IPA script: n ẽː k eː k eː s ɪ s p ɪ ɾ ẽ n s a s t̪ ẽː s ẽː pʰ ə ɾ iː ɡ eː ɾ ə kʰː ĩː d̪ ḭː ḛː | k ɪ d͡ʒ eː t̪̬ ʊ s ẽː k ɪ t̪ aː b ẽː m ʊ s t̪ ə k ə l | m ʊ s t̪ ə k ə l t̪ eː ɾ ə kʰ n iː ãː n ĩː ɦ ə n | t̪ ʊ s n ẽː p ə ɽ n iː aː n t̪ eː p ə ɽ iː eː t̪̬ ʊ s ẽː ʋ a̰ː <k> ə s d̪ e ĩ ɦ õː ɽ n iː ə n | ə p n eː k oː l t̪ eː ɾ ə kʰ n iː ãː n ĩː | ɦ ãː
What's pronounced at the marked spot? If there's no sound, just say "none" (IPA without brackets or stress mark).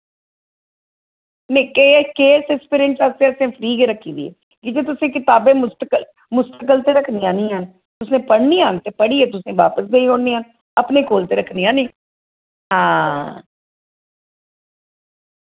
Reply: p